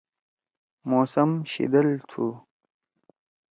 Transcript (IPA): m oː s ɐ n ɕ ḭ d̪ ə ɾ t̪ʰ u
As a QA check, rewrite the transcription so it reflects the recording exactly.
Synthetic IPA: m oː s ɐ m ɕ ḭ d̪ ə l t̪ʰ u